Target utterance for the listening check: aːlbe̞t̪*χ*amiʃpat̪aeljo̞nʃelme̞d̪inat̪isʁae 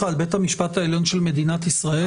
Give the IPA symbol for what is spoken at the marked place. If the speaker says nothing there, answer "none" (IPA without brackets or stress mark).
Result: h